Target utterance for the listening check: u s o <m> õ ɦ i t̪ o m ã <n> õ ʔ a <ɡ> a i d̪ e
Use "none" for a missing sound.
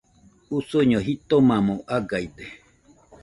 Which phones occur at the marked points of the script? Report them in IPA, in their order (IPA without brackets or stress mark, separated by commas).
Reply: ɲ, m, ɡ